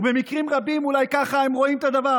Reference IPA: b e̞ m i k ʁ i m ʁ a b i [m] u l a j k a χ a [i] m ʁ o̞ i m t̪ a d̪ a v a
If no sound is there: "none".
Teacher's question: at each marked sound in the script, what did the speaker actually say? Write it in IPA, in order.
m, e

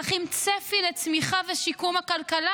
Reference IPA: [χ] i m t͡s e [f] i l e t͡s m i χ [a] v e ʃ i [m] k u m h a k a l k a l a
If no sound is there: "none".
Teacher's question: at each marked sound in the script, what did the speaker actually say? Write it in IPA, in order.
χ, f, a, none

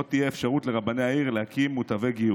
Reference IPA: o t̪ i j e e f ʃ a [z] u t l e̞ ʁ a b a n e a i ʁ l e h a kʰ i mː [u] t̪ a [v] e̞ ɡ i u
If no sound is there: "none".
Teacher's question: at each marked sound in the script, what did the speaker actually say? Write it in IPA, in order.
ʁ, u, v

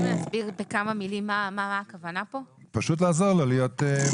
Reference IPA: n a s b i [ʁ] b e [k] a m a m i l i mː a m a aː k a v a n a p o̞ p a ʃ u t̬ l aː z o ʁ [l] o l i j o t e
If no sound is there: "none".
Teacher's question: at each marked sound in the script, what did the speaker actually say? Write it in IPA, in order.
ʁ, k, l

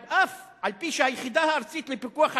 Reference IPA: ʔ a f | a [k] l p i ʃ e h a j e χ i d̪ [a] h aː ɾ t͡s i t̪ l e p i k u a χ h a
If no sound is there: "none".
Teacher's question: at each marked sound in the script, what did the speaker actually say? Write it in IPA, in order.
none, a

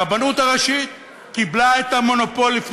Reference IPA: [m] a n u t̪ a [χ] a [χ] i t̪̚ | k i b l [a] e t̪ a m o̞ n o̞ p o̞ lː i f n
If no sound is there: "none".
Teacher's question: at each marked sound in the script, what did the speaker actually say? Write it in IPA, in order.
b, ʁ, ʃ, a

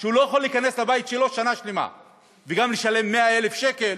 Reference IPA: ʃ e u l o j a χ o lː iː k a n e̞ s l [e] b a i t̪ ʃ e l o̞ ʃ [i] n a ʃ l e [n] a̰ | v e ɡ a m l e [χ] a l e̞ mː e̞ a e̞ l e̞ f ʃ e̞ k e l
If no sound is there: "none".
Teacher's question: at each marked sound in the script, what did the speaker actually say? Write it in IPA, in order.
a, a, m, ʃ

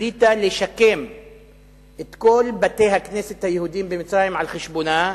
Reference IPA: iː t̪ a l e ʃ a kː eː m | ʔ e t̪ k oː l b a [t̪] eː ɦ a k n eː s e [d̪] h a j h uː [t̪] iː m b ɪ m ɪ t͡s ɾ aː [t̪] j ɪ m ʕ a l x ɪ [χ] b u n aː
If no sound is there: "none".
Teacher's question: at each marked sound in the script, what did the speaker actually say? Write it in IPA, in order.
t̪, t̪, d̪, none, ʃ

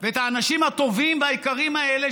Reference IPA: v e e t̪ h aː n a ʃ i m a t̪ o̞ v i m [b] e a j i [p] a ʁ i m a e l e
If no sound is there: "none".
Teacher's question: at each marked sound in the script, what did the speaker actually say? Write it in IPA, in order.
v, k

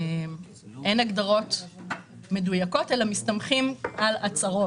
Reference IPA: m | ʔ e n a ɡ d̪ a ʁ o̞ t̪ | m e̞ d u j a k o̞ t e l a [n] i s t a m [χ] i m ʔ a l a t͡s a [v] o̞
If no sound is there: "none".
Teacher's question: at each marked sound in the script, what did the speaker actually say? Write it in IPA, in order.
m, χ, ʁ

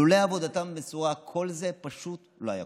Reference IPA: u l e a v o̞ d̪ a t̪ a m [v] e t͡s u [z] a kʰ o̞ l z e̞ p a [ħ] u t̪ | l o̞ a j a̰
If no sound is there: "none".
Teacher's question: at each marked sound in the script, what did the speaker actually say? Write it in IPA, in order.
b, ʁ, ʃ

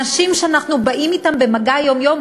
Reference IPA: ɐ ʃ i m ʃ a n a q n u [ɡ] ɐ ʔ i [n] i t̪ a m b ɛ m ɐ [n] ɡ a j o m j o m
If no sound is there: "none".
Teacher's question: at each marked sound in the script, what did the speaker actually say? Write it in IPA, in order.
b, m, none

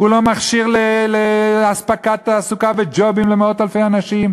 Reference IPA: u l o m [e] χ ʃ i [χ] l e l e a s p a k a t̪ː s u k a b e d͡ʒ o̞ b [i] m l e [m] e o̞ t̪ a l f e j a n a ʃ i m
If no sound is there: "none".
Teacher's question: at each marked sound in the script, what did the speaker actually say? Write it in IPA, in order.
a, ʁ, i, m

